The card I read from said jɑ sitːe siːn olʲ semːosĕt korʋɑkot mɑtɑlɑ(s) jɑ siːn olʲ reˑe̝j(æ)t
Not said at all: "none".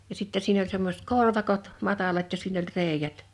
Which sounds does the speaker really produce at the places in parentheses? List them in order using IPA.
t, æ

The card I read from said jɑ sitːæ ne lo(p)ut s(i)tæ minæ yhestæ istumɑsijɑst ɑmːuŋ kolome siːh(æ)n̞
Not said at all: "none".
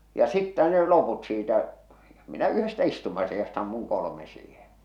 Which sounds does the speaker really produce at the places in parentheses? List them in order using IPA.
p, iː, e

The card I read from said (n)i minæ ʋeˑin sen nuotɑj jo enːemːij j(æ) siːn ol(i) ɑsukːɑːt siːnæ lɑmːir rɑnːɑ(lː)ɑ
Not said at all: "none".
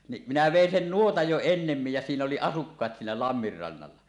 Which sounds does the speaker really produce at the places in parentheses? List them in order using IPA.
n, æ, i, lː

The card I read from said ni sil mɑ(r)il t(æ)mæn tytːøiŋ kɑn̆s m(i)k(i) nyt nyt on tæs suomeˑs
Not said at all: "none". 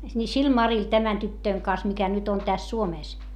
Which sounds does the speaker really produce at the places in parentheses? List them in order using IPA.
r, æ, i, æ

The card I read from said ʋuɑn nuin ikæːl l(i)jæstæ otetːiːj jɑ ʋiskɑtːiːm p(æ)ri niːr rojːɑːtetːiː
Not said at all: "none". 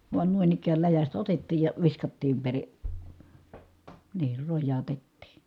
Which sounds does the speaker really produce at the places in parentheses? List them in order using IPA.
æ, e

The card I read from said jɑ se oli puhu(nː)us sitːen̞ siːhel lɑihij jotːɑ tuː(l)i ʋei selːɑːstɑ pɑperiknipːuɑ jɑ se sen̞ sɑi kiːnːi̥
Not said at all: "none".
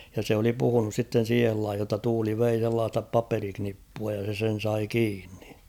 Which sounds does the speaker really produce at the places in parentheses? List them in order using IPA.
n, l

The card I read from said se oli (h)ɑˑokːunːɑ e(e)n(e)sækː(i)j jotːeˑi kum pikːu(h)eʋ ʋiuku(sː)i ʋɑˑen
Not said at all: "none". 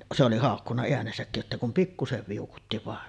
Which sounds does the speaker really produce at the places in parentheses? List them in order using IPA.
h, æ, e, i, s, tː

